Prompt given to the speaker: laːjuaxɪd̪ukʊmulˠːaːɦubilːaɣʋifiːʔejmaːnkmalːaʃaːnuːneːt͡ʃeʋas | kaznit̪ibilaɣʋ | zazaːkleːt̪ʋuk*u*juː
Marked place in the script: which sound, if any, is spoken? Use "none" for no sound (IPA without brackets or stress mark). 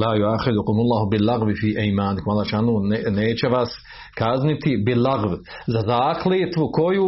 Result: o